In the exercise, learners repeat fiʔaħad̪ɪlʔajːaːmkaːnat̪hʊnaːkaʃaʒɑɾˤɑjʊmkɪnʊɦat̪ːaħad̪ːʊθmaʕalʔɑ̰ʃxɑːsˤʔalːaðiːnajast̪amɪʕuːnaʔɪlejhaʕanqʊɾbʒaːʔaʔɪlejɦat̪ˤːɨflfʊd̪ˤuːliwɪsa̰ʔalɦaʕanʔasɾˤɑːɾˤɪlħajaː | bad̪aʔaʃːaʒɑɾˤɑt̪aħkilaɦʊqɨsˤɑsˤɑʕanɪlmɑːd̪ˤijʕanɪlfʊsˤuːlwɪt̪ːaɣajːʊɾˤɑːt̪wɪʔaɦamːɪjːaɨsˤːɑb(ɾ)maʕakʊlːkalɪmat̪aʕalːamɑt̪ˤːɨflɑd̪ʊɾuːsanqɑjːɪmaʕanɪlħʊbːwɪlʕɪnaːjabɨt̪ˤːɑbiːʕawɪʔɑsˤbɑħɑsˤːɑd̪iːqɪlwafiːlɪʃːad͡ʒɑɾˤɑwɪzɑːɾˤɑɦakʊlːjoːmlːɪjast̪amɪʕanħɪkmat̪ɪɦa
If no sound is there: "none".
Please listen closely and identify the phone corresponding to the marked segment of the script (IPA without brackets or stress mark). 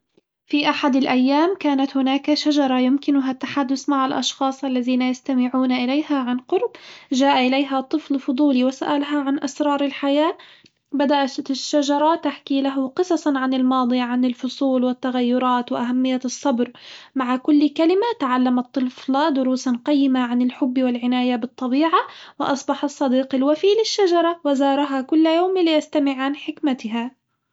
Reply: ɾ